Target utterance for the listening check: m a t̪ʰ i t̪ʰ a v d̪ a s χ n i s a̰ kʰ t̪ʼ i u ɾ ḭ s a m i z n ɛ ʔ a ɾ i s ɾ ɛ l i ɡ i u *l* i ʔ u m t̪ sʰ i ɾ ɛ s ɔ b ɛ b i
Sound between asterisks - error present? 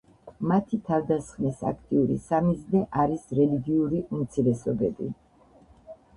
yes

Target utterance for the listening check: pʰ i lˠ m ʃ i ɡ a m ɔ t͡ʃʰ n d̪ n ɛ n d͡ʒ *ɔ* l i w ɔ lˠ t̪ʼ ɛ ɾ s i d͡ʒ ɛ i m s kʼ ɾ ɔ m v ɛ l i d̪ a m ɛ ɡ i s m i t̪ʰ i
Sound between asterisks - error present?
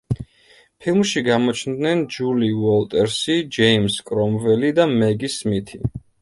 yes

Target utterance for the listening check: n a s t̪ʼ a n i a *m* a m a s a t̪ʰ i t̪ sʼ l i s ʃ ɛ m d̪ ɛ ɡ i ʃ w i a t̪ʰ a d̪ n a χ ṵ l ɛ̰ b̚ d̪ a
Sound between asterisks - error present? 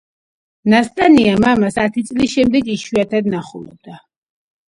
no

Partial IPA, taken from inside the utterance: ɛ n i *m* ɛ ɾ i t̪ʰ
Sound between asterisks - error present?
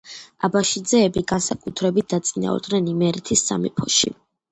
no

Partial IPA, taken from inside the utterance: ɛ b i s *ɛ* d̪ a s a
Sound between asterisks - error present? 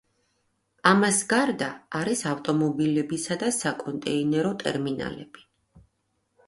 yes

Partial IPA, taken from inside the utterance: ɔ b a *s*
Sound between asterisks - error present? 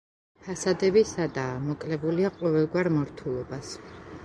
no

